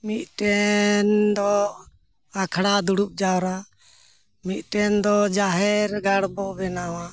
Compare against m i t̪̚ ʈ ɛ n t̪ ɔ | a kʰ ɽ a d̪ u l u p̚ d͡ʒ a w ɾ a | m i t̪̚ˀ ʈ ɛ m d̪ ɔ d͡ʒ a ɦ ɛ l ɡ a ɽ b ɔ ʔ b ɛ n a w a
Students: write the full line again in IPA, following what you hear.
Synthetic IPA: m i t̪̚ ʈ ɛ n d̪ ɔ | a kʰ ɽ a d̪ u ɽ u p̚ d͡ʒ a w ɾ a | m i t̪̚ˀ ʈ ɛ n d̪ ɔ d͡ʒ a ɦ ɛ ɾ ɡ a ɽ b ɔ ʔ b ɛ n a w a